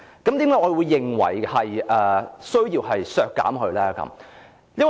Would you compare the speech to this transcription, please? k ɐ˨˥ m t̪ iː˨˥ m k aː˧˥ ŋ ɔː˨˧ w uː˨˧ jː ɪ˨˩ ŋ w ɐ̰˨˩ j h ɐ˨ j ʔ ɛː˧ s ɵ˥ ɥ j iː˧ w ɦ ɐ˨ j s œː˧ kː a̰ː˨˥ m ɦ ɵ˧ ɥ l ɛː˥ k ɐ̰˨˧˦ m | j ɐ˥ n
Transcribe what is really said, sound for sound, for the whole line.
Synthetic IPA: k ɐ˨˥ m t̪ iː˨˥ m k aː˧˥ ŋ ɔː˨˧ w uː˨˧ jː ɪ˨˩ ŋ w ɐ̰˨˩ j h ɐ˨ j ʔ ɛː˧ s ɵ˥ ɥ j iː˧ w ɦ ɐ˨ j s œː˧ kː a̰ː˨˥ m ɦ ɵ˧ ɥ l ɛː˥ k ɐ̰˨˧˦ m | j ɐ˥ n